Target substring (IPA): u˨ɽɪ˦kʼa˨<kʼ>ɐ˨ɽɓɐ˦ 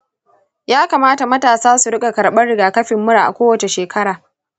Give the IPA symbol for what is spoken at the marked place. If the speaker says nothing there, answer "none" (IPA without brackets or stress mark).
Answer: k